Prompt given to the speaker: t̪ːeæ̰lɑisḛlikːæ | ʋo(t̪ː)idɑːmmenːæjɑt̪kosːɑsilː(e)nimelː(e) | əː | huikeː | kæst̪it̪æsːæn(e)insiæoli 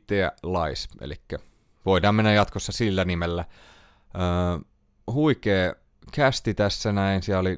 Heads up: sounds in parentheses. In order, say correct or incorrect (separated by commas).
incorrect, incorrect, incorrect, incorrect